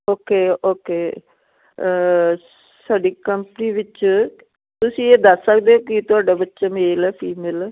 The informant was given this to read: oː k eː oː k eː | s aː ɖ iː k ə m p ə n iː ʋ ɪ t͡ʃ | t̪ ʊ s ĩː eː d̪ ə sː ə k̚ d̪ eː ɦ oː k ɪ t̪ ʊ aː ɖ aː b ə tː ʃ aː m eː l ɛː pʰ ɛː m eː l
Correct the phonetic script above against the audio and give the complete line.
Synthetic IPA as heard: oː k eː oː k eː | s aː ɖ iː k ə m p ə n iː ʋ ɪ t͡ʃ | t̪ ʊ s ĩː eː d̪ ə sː ə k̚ d̪ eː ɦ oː k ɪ t̪ ʊ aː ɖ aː b ə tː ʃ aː m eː l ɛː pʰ iː m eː l